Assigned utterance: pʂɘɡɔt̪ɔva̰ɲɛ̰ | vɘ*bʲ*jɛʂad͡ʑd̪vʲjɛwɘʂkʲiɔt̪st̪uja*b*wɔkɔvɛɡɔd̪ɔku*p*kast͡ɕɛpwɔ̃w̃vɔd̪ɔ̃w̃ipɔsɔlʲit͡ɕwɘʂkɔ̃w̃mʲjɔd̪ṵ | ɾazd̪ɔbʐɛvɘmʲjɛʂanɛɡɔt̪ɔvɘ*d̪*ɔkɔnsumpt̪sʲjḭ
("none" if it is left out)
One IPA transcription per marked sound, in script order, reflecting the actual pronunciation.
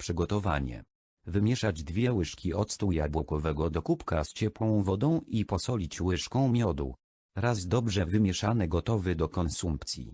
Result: mʲ, b, p, d̪

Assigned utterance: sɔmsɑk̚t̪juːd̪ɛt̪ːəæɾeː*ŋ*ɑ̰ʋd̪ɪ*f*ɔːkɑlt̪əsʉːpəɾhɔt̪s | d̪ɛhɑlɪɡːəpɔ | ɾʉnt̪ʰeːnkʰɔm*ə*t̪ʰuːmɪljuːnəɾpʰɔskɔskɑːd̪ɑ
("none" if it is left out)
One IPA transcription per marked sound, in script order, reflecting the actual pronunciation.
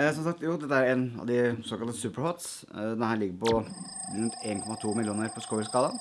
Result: n, s, ɑ

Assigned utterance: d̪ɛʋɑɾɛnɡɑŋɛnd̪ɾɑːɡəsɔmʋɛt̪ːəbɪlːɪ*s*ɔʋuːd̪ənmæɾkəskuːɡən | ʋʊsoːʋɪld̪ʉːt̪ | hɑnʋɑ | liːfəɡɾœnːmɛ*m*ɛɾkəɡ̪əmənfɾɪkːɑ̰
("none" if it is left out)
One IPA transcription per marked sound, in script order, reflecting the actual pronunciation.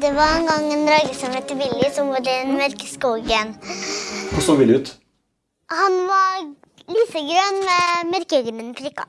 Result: s, m

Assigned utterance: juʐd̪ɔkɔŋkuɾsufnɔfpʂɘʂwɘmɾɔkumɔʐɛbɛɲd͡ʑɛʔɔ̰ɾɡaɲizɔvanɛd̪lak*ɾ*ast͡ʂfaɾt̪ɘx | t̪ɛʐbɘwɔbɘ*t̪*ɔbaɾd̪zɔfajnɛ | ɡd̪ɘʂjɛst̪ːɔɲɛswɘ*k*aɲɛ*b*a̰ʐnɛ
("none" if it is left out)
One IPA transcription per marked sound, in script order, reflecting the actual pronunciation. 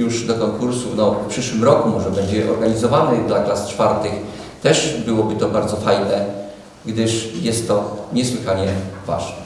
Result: l, t̪, x, v

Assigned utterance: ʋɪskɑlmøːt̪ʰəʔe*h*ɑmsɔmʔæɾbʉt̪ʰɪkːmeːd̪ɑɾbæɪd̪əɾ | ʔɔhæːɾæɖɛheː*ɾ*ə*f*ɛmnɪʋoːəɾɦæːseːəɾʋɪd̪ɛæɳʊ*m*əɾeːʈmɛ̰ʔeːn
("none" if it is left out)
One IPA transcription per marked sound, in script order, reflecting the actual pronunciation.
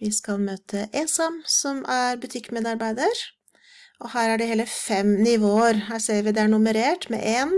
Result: s, l, f, m

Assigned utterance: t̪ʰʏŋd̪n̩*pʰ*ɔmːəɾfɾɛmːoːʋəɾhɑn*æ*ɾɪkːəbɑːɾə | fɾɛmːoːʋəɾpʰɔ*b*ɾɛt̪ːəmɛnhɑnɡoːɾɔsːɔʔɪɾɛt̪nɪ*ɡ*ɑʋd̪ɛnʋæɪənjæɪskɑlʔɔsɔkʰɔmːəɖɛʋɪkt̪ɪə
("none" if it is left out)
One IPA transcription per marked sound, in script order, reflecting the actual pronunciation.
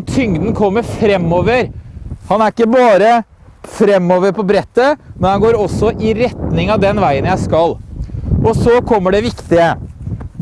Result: kʰ, æ, b, ŋ

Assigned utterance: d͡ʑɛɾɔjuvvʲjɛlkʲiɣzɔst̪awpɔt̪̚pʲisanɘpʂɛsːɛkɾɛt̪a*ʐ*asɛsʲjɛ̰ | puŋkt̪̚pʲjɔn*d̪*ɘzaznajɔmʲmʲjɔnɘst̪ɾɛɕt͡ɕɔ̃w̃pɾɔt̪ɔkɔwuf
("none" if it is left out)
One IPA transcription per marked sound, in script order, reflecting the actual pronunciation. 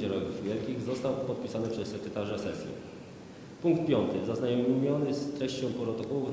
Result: ʐ, t̪

